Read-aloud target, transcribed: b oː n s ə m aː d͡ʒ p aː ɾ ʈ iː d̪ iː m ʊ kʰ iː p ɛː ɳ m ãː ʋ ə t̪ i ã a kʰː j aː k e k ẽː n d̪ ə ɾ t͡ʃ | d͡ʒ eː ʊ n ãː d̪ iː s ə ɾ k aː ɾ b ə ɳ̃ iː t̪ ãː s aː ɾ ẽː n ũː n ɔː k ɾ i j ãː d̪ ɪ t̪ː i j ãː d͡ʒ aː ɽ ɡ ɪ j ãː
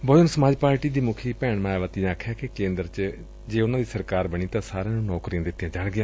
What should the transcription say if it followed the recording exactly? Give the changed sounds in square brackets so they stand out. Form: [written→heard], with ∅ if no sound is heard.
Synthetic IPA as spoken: b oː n s ə m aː d͡ʒ p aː ɾ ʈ iː d̪ iː m ʊ kʰ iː p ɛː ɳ m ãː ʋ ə t̪ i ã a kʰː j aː k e k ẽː n d̪ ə ɾ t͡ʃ | d͡ʒ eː ʊ n ãː d̪ iː s ə ɾ k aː ɾ b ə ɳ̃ iː t̪ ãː s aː ɾ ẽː n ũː n ɔː k ɾ i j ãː d̪ ɪ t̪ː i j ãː d͡ʒ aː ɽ ɡ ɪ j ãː